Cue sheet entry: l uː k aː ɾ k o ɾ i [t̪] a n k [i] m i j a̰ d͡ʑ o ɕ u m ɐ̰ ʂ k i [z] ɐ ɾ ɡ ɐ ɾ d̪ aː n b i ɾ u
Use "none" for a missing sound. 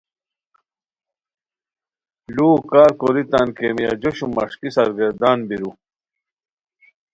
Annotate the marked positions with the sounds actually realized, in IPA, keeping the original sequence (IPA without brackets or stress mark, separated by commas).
t̪, e, s